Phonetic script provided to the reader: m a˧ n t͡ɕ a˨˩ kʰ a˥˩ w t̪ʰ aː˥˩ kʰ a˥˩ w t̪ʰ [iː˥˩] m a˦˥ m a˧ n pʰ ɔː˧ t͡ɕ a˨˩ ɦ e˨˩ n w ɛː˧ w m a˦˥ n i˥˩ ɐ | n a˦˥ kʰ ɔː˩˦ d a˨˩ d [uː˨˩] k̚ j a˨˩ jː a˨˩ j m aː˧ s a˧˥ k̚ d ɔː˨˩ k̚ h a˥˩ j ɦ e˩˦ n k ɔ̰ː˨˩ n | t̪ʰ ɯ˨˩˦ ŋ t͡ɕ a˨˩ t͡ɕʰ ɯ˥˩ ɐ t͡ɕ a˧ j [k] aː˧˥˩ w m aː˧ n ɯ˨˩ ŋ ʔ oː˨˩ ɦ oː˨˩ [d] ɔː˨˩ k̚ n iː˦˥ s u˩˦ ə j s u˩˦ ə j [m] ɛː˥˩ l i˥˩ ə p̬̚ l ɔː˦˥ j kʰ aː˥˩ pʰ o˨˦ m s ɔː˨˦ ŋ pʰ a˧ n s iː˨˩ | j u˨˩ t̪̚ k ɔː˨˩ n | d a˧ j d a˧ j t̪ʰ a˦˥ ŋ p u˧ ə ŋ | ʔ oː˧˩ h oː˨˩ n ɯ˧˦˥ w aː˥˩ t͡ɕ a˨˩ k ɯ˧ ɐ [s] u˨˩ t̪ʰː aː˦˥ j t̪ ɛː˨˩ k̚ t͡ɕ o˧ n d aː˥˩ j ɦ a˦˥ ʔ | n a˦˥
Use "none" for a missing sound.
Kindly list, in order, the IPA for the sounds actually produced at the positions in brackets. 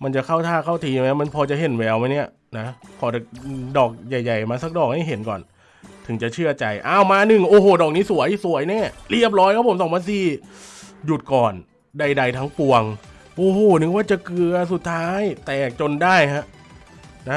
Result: iː˧, ɔː˨˩, ʔ, d, n, s

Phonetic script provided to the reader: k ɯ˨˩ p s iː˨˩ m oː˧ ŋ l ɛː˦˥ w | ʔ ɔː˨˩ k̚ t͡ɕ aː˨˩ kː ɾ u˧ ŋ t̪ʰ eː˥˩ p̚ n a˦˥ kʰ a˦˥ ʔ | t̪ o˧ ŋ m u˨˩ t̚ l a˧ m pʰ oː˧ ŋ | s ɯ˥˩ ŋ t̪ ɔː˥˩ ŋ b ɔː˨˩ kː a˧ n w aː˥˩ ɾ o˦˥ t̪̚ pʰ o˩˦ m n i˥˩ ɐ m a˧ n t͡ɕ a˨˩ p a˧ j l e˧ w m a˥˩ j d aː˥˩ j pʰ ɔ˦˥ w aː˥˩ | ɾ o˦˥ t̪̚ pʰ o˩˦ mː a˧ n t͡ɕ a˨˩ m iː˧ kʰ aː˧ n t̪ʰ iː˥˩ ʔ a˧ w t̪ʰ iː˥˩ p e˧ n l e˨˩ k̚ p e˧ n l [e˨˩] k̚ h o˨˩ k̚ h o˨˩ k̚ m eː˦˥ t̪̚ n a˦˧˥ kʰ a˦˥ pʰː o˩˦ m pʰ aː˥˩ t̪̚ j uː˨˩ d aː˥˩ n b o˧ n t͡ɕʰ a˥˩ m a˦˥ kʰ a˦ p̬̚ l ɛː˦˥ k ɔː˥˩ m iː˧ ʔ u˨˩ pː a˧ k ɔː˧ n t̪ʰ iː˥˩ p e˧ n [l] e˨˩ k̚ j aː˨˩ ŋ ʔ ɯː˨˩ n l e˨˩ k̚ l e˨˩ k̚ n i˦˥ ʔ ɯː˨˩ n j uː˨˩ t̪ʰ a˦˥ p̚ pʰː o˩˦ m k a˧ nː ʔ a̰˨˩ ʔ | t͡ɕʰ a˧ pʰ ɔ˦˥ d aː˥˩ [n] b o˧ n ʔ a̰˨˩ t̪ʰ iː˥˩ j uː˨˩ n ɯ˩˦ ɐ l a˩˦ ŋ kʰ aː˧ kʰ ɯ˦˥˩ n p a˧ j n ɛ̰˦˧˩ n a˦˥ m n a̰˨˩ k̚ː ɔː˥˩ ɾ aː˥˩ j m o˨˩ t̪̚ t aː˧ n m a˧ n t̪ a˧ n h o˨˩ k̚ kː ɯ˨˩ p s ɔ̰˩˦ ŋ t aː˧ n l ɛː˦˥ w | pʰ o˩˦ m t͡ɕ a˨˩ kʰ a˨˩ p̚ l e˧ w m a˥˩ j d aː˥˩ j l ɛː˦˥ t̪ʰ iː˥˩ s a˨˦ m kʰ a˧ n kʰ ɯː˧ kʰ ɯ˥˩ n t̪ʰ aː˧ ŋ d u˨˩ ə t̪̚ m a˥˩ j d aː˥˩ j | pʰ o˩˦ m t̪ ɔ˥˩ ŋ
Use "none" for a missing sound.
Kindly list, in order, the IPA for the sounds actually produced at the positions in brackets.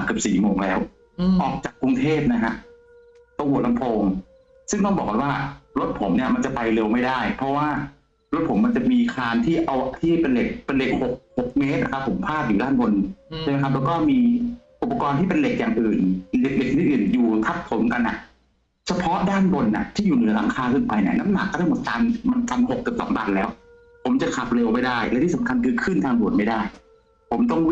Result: e˨˩, l, n

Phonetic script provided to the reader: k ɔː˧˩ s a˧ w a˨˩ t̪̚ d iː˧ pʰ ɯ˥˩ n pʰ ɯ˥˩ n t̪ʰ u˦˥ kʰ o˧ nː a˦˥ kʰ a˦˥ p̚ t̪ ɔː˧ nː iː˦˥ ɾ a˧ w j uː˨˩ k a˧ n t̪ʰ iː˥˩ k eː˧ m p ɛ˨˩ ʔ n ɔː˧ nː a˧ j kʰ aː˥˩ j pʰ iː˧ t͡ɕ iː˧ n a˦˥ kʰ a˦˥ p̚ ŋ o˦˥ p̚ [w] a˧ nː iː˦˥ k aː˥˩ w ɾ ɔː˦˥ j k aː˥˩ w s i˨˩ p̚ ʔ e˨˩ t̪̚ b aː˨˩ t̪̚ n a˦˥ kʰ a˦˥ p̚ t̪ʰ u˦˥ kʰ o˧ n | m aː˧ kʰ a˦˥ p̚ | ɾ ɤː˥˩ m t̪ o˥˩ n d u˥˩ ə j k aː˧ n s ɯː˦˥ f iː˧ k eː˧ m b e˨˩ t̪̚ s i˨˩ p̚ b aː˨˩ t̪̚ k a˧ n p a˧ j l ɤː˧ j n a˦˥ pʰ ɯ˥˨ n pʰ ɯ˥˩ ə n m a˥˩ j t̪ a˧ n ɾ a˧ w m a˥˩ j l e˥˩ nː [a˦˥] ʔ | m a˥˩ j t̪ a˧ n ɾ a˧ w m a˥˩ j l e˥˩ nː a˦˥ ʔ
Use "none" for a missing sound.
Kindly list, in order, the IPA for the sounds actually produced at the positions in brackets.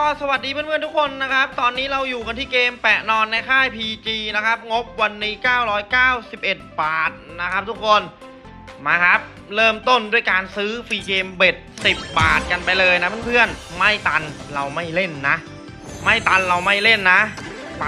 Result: w, a˦˥

